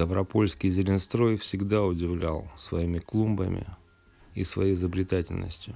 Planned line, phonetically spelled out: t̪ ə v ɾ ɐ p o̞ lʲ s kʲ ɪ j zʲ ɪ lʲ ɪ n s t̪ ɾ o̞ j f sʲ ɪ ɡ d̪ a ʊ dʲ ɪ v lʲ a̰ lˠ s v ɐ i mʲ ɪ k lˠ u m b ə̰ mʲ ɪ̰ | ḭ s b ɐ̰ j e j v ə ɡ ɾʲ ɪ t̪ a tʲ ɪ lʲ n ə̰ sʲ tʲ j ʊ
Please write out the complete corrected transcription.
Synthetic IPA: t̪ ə v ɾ ɐ p o̞ lʲ s kʲ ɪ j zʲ ɪ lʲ ɪ n s t̪ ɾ o̞ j f sʲ ɪ ɡ d̪ a ʊ dʲ ɪ v lʲ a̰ lˠ s v ɐ i mʲ ɪ k lˠ u m b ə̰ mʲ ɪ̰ | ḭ s v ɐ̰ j e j z ə b ɾʲ ɪ t̪ a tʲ ɪ lʲ n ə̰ sʲ tʲ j ʊ